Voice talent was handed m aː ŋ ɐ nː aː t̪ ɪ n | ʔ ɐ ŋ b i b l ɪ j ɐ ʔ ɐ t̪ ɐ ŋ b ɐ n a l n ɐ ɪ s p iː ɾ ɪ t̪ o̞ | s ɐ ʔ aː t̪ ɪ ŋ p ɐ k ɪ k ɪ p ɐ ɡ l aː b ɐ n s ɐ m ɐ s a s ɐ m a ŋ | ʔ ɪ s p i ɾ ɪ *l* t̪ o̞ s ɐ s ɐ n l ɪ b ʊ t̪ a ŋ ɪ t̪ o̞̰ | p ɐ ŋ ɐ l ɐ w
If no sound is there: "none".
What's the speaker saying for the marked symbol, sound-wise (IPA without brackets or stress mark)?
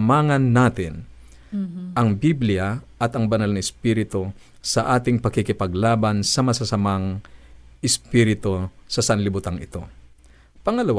none